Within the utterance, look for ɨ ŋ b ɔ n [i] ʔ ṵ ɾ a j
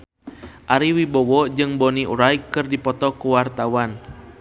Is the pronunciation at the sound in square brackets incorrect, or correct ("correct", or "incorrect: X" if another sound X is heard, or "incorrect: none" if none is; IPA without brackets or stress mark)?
correct